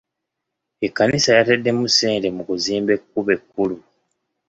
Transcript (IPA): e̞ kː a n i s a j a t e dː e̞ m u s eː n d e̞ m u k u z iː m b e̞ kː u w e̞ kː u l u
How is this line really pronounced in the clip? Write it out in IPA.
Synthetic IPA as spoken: e̞ kː a n i s a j a t e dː e̞ m u s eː n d e̞ m u k u z iː m b e̞ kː u β e̞ kː u l u